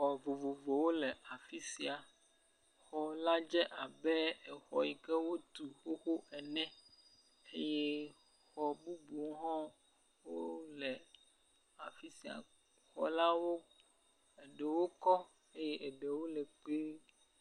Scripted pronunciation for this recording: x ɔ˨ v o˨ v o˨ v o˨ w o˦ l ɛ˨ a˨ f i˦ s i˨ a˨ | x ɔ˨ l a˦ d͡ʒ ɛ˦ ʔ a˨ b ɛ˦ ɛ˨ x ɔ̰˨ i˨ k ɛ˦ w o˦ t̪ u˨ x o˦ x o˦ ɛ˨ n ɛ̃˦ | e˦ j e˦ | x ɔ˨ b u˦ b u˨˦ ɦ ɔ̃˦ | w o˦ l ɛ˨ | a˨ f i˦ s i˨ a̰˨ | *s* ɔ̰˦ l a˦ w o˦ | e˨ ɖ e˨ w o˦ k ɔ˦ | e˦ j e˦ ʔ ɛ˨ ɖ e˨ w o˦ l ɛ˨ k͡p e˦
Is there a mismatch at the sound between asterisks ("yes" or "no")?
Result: yes